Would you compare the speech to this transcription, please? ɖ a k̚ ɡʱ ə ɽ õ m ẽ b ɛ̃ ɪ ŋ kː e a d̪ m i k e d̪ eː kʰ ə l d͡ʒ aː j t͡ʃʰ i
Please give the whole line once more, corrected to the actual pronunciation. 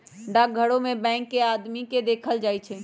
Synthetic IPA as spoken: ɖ a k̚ ɡʱ ə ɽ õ m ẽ b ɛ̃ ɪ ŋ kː e a d̪ m i k e d̪ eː kʰ ə l d͡ʒ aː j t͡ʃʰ ɛ